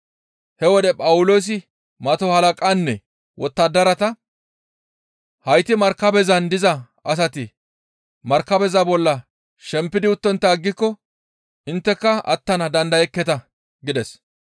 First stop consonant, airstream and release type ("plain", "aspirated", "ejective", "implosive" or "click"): plain